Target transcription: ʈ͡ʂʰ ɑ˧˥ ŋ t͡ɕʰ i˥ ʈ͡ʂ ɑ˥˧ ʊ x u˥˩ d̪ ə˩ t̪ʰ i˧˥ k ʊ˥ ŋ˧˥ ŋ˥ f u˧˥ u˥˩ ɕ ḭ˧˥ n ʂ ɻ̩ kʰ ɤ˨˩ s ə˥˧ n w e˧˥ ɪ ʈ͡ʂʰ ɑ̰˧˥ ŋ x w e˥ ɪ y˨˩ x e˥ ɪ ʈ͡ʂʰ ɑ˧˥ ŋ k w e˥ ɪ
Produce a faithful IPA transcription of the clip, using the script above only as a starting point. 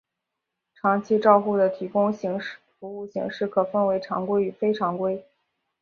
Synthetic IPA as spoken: ʈ͡ʂʰ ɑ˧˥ ŋ t͡ɕʰ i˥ ʈ͡ʂ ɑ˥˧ ʊ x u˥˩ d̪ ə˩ t̪ʰ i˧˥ k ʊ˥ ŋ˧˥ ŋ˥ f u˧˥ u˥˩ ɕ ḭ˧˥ ŋ ʂ ɻ̩ kʰ ɤ˨˩ f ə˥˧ n w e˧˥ ɪ ʈ͡ʂʰ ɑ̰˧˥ ŋ k w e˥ ɪ y˨˩ f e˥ ɪ ʈ͡ʂʰ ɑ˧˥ ŋ k w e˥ ɪ